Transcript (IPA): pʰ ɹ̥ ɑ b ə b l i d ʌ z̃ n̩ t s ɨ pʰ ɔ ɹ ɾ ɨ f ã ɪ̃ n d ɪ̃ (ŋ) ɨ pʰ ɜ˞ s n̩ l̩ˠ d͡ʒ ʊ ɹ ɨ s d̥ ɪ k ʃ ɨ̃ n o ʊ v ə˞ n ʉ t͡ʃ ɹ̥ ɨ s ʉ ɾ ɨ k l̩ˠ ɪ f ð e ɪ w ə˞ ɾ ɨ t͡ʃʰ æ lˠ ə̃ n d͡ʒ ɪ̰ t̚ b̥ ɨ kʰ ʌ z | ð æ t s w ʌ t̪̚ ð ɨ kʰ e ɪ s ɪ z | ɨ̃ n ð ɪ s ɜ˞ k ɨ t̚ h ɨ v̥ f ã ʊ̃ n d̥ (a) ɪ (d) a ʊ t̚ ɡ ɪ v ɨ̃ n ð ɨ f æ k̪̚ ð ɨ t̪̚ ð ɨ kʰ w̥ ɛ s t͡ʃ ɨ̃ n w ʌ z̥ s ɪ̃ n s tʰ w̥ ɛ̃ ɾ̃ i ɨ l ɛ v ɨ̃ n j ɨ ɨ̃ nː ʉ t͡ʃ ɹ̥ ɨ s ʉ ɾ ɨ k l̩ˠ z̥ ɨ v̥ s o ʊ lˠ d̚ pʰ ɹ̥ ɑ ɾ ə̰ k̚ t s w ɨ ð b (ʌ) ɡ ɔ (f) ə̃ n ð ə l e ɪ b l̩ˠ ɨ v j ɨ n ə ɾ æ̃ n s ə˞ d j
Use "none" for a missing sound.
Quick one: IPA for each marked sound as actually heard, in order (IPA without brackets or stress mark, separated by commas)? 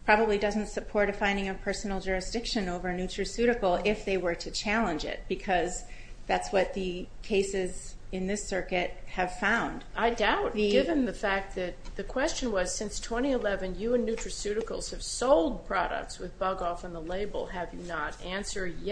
ŋ, a, d, ʌ, f